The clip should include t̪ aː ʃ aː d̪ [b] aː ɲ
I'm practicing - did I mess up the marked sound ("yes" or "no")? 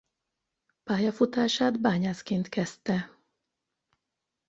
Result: no